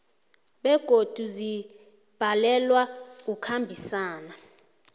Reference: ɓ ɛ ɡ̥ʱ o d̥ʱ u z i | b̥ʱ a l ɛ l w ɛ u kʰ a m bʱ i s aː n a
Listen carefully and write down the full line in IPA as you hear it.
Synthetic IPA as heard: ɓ ɛ ɡ̥ʱ o d̥ʱ u z i | b̥ʱ a l ɛ l w a u kʰ a m bʱ i s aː n a